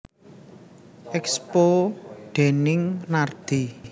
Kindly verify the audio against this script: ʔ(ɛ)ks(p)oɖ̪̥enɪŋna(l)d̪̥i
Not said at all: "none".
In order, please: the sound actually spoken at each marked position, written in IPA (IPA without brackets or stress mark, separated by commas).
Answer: ɛ, p, r